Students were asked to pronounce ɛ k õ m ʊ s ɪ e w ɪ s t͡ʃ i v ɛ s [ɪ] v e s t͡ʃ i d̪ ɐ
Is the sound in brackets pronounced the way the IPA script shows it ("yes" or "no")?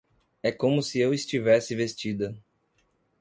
yes